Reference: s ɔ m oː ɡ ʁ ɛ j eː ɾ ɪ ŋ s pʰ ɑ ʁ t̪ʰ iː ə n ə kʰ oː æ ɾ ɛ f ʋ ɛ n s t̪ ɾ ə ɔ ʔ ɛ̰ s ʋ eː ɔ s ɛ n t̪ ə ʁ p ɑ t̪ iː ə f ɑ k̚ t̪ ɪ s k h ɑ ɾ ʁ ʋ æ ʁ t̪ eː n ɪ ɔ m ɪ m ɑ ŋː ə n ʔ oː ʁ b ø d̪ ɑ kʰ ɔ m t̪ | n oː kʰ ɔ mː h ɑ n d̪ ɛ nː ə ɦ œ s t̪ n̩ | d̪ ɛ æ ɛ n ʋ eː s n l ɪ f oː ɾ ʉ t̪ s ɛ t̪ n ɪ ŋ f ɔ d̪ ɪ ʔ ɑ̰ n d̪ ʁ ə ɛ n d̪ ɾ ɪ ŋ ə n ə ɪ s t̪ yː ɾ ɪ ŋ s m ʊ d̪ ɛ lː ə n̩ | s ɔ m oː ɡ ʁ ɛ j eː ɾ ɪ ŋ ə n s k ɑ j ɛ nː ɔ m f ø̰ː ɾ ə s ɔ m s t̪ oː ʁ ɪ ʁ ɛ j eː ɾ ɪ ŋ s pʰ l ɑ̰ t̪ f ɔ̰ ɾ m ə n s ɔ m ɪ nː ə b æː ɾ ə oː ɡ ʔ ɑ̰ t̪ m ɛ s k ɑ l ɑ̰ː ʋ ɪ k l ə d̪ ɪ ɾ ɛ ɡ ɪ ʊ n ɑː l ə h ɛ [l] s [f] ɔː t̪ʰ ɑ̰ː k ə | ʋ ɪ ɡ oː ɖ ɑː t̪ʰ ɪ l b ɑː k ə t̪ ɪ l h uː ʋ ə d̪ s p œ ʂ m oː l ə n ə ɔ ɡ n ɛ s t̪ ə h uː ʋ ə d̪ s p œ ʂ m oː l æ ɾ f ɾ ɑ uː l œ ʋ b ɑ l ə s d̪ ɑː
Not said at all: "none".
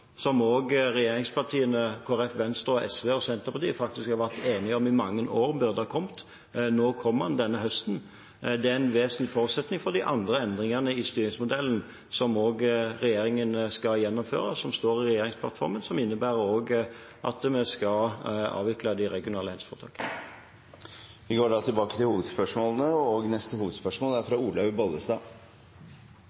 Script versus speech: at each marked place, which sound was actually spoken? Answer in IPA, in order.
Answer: l, f

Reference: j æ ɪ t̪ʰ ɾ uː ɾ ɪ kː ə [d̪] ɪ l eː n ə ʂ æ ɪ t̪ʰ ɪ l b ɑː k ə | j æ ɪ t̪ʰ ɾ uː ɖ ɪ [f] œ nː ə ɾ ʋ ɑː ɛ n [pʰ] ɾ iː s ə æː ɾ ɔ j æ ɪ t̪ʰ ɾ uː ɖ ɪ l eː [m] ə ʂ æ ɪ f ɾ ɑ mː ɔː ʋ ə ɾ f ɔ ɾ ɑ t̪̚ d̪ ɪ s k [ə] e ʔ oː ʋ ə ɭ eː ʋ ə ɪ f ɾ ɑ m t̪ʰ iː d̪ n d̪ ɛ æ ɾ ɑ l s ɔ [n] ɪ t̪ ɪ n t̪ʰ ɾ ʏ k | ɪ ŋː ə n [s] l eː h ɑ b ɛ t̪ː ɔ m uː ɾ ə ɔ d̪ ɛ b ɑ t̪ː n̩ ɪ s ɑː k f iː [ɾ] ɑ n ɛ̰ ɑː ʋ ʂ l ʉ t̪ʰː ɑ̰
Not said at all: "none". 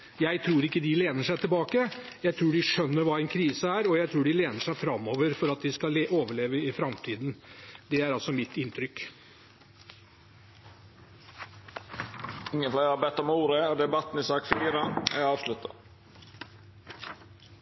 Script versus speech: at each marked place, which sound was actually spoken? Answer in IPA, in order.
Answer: d̪, ʂ, kʰ, n, ɑ, m, f, ɾ

